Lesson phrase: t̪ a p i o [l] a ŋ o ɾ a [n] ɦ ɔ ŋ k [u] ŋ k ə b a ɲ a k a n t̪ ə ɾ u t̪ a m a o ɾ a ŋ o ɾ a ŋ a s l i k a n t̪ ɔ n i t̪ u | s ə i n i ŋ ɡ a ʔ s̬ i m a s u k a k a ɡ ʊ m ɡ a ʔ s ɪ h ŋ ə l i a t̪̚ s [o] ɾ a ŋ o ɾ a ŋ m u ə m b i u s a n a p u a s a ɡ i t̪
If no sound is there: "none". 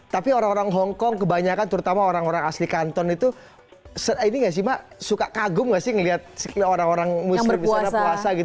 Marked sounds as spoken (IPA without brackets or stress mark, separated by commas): ɾ, ŋ, ɔ, o